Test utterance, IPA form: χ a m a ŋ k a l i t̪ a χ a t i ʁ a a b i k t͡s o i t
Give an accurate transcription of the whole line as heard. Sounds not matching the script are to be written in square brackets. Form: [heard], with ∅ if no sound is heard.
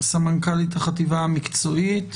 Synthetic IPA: [s] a m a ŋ k a l i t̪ a χ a t i [v] a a [m] i k t͡s o i t